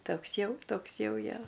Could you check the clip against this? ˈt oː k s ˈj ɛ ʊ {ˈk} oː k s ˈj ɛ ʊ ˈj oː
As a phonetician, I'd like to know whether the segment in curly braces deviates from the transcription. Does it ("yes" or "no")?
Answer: yes